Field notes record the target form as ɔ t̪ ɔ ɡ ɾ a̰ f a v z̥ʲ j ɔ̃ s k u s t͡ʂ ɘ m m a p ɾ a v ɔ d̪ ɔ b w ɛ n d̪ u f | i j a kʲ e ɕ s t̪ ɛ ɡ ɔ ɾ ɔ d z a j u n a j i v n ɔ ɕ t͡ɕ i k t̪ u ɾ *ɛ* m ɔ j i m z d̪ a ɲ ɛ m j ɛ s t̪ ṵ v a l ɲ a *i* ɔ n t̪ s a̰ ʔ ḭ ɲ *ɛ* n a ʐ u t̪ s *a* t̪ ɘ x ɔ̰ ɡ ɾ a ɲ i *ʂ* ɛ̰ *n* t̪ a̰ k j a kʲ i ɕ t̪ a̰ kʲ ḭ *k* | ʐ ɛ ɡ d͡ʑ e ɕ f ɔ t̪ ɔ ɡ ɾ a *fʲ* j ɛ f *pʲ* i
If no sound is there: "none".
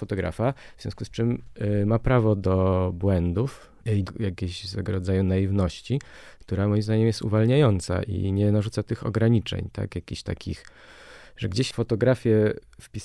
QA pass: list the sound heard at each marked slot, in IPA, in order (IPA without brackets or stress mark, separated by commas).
a, j, ɛ, a, t͡ʂ, ɲ, x, fʲ, pʲ